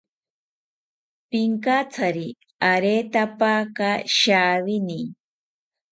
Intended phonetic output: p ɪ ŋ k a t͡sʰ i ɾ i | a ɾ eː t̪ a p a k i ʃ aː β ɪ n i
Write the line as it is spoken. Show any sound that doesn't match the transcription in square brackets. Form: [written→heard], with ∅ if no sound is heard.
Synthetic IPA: p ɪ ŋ k a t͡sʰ [i→a] ɾ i | a ɾ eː t̪ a p a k [i→a] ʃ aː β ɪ n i

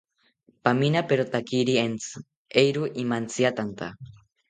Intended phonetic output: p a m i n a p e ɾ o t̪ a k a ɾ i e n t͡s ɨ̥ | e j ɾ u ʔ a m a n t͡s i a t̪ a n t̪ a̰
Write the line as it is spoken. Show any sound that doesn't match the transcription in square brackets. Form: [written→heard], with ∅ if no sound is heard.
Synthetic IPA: p a m i n a p e ɾ o t̪ a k [a→i] ɾ i e n t͡s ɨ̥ | e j ɾ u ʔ [a→i] m a n t͡s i a t̪ a n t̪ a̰

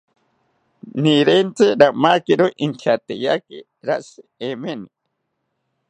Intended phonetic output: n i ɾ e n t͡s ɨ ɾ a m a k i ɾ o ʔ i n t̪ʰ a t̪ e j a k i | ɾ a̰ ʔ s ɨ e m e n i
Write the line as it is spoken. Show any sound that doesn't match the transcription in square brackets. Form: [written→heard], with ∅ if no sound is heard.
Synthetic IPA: n i ɾ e n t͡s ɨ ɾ a m a k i ɾ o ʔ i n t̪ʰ a t̪ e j a k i | ɾ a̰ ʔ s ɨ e m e n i

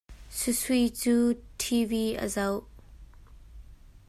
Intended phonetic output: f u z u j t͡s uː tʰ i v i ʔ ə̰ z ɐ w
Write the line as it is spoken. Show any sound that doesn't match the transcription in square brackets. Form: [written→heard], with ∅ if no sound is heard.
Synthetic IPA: [f→s] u [z→s] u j t͡s uː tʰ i v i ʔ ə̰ z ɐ w

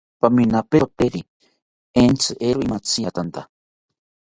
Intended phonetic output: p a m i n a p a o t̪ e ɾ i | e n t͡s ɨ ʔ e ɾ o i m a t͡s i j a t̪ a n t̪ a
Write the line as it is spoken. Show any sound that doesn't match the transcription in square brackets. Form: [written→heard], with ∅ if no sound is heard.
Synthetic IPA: p a m i n a p [a→e] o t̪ e ɾ i | e n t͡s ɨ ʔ e ɾ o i m a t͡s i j a t̪ a n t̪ a

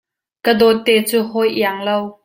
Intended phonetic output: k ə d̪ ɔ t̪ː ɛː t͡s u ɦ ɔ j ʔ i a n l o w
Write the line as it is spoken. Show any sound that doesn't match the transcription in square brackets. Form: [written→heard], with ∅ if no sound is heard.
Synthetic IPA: k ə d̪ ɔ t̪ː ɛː t͡s u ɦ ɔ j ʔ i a [n→ŋ] l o w

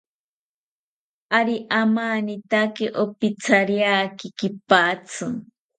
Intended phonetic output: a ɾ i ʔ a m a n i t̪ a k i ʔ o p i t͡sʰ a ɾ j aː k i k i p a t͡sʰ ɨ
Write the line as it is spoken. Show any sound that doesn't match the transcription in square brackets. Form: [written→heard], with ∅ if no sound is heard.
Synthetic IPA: a ɾ i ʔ a m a n i t̪ a k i ʔ o p i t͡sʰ a ɾ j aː k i k i p a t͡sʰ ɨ

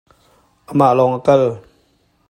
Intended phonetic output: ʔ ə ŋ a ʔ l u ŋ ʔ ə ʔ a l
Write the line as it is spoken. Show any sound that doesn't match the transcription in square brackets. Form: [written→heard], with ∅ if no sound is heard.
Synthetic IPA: ʔ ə [ŋ→m] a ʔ l [u→ɔ] ŋ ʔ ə [ʔ→k] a l

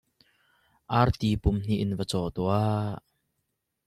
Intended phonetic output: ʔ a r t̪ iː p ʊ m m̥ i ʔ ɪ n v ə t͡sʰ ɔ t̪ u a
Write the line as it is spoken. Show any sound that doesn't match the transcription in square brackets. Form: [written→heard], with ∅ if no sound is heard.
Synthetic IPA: ʔ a r t̪ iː p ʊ m [m̥→n̥] i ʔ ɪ n v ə [t͡sʰ→t͡s] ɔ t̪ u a

